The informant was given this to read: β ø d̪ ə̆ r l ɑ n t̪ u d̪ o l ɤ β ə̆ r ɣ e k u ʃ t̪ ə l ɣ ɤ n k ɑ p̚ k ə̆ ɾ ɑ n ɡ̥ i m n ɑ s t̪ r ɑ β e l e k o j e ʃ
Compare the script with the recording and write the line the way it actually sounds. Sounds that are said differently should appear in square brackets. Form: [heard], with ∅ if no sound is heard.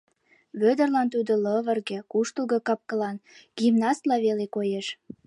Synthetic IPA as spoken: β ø d̪ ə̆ r l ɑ n t̪ u d̪ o l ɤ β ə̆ r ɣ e k u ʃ t̪ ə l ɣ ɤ [∅] k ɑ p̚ k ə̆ [l] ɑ n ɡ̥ i m n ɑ s t̪ [l] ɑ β e l e k o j e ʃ